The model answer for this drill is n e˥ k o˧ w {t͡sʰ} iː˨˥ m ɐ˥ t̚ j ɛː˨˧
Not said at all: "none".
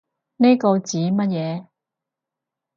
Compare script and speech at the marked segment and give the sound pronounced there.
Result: t͡s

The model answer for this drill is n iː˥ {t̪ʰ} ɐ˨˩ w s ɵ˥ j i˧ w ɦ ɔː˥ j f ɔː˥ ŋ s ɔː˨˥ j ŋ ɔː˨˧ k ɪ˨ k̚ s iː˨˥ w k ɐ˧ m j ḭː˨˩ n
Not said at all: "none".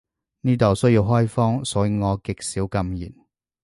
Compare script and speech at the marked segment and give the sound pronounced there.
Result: t̪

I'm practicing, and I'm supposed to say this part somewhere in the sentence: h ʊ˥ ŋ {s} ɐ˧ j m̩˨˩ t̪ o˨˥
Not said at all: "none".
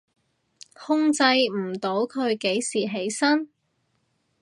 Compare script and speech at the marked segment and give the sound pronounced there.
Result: t͡s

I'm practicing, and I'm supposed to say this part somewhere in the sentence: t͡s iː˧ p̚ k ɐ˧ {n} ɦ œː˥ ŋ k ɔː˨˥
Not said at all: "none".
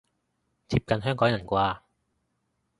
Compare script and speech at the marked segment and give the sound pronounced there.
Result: n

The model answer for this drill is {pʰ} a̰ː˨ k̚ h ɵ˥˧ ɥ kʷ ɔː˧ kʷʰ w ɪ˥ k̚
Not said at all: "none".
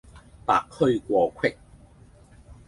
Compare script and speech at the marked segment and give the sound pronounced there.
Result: p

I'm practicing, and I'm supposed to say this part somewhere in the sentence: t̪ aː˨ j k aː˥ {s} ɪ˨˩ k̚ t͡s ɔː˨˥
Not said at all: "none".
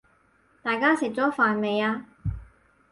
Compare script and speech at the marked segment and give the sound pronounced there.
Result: s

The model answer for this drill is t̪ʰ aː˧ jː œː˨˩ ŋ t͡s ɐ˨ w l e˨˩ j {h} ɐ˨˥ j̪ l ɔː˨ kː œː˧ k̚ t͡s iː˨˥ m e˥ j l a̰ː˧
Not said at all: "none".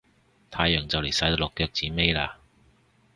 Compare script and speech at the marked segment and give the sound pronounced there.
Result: s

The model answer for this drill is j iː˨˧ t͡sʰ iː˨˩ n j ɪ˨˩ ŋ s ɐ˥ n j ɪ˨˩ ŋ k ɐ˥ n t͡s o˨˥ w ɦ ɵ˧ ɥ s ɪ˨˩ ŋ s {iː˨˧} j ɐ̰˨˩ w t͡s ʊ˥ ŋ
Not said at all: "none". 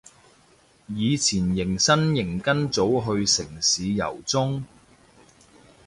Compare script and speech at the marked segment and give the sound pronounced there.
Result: iː˨˧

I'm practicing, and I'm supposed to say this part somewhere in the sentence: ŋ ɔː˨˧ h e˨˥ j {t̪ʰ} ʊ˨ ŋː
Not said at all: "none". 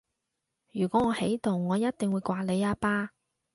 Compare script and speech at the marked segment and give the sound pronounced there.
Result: t̪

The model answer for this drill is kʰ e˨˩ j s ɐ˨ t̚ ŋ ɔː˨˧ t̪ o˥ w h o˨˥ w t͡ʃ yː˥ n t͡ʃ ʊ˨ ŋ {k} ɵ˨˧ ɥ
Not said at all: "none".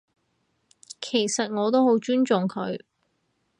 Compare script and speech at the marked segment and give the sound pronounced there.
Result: kʰ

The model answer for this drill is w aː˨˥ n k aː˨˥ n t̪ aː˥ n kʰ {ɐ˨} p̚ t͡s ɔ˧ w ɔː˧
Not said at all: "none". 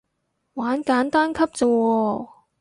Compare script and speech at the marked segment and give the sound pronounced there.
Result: ɐ˥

